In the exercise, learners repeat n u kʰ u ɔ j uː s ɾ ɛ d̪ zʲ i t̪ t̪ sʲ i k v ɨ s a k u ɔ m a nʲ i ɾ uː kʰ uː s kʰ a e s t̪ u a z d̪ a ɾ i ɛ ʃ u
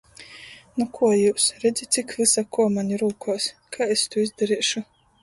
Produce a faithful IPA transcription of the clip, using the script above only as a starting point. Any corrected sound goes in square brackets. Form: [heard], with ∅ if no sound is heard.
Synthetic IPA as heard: n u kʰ u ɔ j uː s ɾ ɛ d̪ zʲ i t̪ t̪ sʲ i k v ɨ s a k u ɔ m a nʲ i ɾ uː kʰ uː s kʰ a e s t̪ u [i] z d̪ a ɾ i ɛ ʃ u